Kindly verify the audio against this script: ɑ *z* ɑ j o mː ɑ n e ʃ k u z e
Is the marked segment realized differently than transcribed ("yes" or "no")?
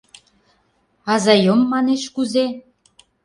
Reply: no